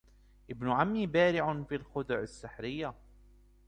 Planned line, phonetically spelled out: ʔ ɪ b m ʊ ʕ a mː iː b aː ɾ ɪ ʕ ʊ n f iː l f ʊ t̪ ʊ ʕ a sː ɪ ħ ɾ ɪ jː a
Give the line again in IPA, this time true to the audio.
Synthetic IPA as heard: ʔ ɪ b n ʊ ʕ a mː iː b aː ɾ ɪ ʕ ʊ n f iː l x ʊ d̪ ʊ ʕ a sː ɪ ħ ɾ ɪ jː a

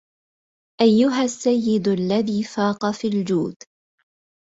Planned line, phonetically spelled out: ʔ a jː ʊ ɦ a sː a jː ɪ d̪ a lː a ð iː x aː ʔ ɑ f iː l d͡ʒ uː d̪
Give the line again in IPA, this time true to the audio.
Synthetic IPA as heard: ʔ a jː ʊ ɦ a sː a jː ɪ d̪ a lː a ð iː f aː q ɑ f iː l d͡ʒ uː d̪

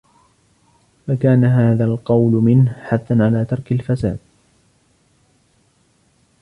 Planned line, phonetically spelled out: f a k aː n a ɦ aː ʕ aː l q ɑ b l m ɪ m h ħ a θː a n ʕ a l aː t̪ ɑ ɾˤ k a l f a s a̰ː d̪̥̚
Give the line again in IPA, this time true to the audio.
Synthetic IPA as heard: f a k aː n a ɦ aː ð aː l q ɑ w l m ɪ n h ħ a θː a n ʕ a l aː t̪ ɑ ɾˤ k a l f a s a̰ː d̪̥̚

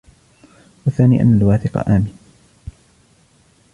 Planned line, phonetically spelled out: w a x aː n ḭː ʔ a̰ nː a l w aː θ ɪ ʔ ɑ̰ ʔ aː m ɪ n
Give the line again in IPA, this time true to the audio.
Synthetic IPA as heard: w a θ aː n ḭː ʔ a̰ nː a l w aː θ ɪ q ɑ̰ ʔ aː m ɪ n

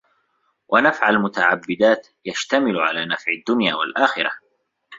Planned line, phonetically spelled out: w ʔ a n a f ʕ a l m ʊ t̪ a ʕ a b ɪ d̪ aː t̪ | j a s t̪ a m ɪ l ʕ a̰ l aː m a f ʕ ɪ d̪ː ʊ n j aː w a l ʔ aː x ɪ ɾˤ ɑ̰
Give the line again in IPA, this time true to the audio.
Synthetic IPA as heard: w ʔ a n a f ʕ a l m ʊ t̪ a ʕ a bː ɪ d̪ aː t̪ | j a ʃ t̪ a m ɪ l ʕ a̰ l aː n a f ʕ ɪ d̪ː ʊ n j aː w a l ʔ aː x ɪ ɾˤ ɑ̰

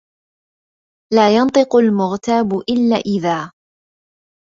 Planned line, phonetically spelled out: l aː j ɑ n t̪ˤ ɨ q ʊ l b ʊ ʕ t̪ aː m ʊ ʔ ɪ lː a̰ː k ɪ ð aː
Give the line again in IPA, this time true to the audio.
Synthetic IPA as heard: l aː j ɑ n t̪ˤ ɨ q ʊ l m ʊ ɣ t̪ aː b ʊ ʔ ɪ lː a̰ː ʔ ɪ ð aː

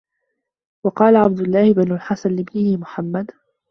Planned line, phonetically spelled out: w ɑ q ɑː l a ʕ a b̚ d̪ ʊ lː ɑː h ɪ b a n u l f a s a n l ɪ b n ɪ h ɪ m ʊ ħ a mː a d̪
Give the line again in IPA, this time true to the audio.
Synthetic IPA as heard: w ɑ q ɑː l a ʕ a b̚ d̪ ʊ lː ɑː h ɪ b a n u l ħ a s a n l ɪ b n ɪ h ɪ m ʊ ħ a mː a d̪

